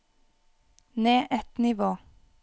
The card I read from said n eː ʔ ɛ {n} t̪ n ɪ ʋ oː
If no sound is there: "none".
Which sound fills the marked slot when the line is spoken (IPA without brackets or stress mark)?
none